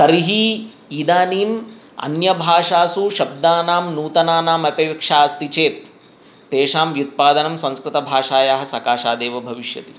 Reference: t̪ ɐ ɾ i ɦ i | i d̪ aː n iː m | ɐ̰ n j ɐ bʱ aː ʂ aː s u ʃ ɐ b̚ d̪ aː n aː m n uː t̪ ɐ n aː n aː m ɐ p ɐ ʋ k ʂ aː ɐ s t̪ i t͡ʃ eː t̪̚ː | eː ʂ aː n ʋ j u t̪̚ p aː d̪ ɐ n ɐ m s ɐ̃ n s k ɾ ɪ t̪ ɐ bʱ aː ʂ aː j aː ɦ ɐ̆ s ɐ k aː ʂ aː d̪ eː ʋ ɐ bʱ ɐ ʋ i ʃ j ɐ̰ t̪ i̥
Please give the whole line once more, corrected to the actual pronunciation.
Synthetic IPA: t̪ ɐ ɾ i ɦ i | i d̪ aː n iː m | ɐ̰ n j ɐ bʱ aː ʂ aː s u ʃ ɐ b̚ d̪ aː n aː m n uː t̪ ɐ n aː n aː m ɐ p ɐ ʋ k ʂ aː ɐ s t̪ i t͡ʃ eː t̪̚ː | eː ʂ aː m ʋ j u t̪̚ p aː d̪ ɐ n ɐ m s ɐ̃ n s k ɾ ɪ t̪ ɐ bʱ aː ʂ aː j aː ɦ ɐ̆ s ɐ k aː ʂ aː d̪ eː ʋ ɐ bʱ ɐ ʋ i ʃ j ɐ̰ t̪ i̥

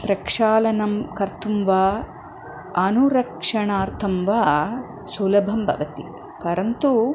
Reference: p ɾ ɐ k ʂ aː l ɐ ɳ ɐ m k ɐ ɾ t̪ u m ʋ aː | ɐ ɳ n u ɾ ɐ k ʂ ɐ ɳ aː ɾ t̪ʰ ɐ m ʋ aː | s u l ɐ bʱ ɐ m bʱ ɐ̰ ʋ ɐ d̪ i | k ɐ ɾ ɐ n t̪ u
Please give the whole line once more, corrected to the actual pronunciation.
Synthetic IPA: p ɾ ɐ k ʂ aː l ɐ n ɐ m k ɐ ɾ t̪ u m ʋ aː | ɐ n u ɾ ɐ k ʂ ɐ ɳ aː ɾ t̪ʰ ɐ m ʋ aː | s u l ɐ bʱ ɐ m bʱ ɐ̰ ʋ ɐ t̪ i | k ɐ ɾ ɐ n t̪ u

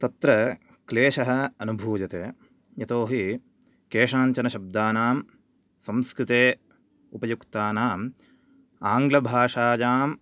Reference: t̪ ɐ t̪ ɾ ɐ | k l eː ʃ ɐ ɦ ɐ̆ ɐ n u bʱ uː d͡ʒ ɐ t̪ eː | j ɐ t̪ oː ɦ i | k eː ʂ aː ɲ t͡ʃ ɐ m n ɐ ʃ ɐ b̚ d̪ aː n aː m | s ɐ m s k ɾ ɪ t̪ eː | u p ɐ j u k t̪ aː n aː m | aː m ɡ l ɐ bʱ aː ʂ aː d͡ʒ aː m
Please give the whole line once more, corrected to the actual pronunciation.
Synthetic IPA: t̪ ɐ t̪ ɾ ɐ | k l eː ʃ ɐ ɦ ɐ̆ ɐ n u bʱ uː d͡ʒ ɐ t̪ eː | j ɐ t̪ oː ɦ i | k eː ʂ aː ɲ t͡ʃ ɐ n ɐ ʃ ɐ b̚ d̪ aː n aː m | s ɐ m s k ɾ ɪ t̪ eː | u p ɐ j u k t̪ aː n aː m | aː ŋ ɡ l ɐ bʱ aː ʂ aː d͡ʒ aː m

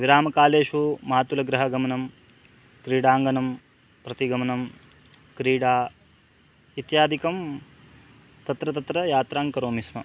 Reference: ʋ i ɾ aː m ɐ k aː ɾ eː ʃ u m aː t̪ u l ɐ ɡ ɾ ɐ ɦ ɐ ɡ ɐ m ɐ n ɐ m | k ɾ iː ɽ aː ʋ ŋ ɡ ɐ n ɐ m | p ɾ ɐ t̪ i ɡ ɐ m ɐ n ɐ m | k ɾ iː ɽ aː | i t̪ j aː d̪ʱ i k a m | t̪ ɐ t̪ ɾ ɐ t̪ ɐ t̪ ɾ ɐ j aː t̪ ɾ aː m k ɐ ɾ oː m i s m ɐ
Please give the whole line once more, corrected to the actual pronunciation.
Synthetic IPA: ʋ i ɾ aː m ɐ k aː l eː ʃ u m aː t̪ u l ɐ ɡ ɾ ɐ ɦ ɐ ɡ ɐ m ɐ n ɐ m | k ɾ iː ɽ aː ŋ ɡ ɐ n ɐ m | p ɾ ɐ t̪ i ɡ ɐ m ɐ n ɐ m | k ɾ iː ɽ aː | i t̪ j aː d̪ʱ i k ɐ m | t̪ ɐ t̪ ɾ ɐ t̪ ɐ t̪ ɾ ɐ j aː t̪ ɾ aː ŋ k ɐ ɾ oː m i s m ɐ

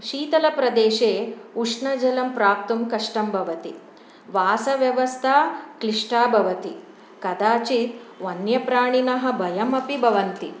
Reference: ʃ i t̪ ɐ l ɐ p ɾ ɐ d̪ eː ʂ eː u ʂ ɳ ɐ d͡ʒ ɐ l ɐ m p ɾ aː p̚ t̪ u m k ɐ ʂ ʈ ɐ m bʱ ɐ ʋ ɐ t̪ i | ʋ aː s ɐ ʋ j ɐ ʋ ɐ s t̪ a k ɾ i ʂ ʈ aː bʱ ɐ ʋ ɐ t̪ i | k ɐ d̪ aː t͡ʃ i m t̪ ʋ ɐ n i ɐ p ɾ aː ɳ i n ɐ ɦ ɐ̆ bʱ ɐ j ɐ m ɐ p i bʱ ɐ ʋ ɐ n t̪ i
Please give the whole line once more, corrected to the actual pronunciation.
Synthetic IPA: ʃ iː t̪ ɐ l ɐ p ɾ ɐ d̪ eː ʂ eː u ʂ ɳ ɐ d͡ʒ ɐ l ɐ m p ɾ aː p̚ t̪ u m k ɐ ʂ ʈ ɐ m bʱ ɐ ʋ ɐ t̪ i | ʋ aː s ɐ ʋ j ɐ ʋ ɐ s t̪ʰ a k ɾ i ʂ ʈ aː bʱ ɐ ʋ ɐ t̪ i | k ɐ d̪ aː t͡ʃ i t̪ ʋ ɐ n j ɐ p ɾ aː ɳ i n ɐ ɦ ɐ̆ bʱ ɐ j ɐ m ɐ p i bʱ ɐ ʋ ɐ n t̪ i

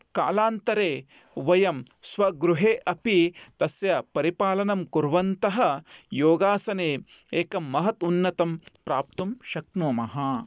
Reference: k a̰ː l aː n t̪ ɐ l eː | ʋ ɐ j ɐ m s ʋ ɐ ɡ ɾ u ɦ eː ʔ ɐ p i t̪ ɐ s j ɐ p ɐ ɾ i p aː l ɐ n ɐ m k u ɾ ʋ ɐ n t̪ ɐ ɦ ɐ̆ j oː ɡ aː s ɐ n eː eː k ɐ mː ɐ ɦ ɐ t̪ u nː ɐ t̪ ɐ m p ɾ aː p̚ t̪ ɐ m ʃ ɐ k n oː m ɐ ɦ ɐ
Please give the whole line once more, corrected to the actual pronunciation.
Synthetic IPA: k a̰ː l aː n t̪ ɐ ɾ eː | ʋ ɐ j ɐ m s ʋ ɐ ɡ ɾ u ɦ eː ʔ ɐ p i t̪ ɐ s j ɐ p ɐ ɾ i p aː l ɐ n ɐ m k u ɾ ʋ ɐ n t̪ ɐ ɦ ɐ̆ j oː ɡ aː s ɐ n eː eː k ɐ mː ɐ ɦ ɐ t̪ u nː ɐ t̪ ɐ m p ɾ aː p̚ t̪ ɐ m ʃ ɐ k n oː m ɐ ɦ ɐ

